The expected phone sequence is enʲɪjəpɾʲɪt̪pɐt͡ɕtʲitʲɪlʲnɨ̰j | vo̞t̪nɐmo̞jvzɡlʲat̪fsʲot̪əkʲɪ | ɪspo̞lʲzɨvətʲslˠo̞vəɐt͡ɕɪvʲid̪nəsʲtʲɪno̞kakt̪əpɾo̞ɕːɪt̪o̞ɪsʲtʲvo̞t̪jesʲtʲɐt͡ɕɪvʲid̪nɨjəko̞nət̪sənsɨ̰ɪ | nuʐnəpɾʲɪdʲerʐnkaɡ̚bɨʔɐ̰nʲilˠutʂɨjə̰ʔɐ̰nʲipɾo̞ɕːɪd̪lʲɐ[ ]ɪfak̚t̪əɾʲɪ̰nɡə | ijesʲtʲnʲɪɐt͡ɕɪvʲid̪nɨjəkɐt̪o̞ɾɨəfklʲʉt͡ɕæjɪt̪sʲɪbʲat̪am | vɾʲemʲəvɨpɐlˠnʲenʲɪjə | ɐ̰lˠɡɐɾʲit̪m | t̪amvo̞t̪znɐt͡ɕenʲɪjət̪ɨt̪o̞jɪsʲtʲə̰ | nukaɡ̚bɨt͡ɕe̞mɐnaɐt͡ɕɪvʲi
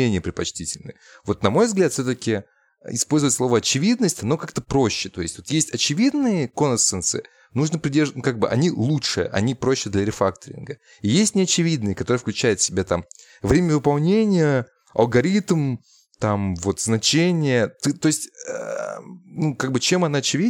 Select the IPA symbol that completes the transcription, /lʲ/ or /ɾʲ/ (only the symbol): ɾʲ